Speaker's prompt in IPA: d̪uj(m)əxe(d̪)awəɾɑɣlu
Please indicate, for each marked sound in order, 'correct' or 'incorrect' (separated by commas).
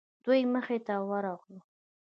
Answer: correct, incorrect